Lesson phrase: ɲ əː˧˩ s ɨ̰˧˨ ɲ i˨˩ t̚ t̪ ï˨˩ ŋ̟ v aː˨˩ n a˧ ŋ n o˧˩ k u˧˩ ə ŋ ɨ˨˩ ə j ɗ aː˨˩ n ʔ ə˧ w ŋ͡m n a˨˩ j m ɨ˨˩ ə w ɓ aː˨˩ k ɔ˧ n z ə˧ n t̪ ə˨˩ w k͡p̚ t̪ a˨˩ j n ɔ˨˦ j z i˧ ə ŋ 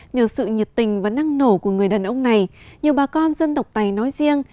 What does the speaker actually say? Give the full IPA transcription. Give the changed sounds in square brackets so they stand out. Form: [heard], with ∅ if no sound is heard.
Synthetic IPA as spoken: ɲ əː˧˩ s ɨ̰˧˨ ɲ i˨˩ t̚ t̪ ï˨˩ ŋ̟ v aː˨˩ n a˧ ŋ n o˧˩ k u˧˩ ə ŋ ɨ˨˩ ə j ɗ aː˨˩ n ʔ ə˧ w ŋ͡m n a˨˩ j [ɲ] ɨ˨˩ ə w ɓ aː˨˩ k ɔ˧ n z ə˧ n t̪ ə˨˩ w k͡p̚ t̪ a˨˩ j n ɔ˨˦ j z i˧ ə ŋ

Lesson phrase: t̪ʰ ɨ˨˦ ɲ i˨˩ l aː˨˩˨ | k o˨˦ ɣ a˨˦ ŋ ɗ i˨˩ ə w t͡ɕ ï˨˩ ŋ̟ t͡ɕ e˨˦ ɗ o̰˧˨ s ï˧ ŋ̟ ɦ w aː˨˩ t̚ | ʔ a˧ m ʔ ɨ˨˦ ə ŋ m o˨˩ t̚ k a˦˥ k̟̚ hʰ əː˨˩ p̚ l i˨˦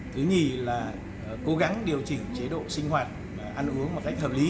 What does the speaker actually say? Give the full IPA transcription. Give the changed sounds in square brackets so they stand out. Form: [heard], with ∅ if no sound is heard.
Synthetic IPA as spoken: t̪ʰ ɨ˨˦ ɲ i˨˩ l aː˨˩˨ | k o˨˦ ɣ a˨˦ ŋ ɗ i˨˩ ə w t͡ɕ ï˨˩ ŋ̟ t͡ɕ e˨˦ ɗ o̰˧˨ s ï˧ ŋ̟ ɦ w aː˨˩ t̚ | ʔ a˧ [n] ʔ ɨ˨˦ ə ŋ m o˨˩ t̚ k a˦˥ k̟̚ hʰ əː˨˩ p̚ l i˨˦

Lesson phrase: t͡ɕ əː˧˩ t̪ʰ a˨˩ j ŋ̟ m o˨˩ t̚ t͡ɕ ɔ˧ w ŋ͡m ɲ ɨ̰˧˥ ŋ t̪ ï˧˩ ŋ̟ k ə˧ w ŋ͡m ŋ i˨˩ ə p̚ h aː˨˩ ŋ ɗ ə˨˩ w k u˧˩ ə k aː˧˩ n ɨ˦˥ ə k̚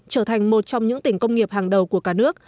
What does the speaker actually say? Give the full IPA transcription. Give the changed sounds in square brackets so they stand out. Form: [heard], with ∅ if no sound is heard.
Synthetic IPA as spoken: t͡ɕ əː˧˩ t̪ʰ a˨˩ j ŋ̟ m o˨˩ t̚ t͡ɕ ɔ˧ w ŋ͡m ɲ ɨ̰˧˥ ŋ t̪ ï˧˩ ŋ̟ k ə˧ w ŋ͡m ŋ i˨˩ ə p̚ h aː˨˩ ŋ ɗ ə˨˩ w k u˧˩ ə k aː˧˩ n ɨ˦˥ ə k̚

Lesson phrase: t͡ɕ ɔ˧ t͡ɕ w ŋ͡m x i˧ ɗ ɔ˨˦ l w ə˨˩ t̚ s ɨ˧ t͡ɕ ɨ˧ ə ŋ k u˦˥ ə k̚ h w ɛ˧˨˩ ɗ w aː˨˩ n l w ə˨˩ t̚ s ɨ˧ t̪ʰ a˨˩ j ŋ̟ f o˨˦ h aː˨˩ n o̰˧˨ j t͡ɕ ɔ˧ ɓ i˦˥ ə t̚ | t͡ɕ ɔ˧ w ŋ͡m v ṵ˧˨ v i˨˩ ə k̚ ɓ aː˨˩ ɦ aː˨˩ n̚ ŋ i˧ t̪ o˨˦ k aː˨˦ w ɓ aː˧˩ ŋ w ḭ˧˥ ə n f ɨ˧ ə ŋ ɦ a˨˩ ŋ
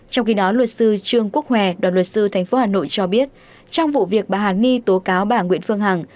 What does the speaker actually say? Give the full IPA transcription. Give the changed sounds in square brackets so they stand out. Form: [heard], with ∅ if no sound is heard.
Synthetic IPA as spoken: t͡ɕ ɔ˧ [∅] w ŋ͡m x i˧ ɗ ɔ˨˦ l w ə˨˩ t̚ s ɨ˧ t͡ɕ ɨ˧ ə ŋ k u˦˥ ə k̚ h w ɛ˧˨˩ ɗ w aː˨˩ n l w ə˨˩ t̚ s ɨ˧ t̪ʰ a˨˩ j ŋ̟ f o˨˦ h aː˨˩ n o̰˧˨ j t͡ɕ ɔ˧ ɓ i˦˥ ə t̚ | t͡ɕ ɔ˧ w ŋ͡m v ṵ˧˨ v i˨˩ ə k̚ ɓ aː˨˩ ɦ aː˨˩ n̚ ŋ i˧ t̪ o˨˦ k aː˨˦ w ɓ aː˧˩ ŋ w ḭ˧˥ ə n f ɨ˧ ə ŋ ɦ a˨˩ ŋ

